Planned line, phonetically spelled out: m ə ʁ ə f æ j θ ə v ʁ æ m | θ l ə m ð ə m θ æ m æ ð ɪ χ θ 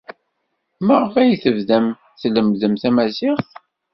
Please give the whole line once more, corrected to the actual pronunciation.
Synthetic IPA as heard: m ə ʁ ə f æ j θ ə v ð æ m | θ l ə m ð ə m θ æ m æ z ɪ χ θ

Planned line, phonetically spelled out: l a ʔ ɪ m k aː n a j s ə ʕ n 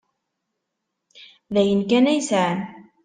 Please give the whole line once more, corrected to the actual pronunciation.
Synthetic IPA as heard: l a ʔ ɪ n k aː n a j s a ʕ n

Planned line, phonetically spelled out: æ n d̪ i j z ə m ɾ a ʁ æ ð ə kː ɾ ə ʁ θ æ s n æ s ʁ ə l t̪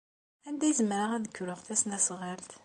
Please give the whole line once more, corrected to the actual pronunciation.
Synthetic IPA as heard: æ n d̪ æ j z ə m ɾ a ʁ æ ð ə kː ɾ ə ʁ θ æ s n æ s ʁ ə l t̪

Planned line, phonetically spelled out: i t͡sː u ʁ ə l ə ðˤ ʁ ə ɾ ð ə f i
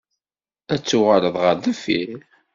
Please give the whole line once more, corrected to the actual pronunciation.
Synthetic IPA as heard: æ t͡sː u ʁ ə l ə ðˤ ʁ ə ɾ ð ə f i

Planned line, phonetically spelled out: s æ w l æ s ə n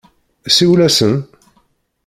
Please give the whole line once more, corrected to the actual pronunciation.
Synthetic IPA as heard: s i w l æ s ə n

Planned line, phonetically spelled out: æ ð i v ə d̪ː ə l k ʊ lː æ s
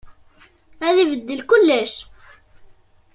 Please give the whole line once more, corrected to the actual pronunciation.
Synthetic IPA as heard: æ ð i v ə d̪ː ə l k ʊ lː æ ʃ

